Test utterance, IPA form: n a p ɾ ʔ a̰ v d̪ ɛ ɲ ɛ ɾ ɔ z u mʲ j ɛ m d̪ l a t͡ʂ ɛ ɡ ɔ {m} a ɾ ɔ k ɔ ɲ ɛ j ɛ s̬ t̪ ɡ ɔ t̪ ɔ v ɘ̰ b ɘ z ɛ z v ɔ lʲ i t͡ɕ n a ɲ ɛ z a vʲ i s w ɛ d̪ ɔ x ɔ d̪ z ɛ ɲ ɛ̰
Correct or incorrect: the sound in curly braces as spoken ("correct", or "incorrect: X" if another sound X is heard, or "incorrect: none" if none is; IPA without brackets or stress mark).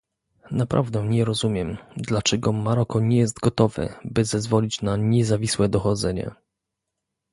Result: correct